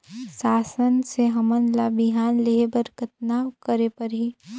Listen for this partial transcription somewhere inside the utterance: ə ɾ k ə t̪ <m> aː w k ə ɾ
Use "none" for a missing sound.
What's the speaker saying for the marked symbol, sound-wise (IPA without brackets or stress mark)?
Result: n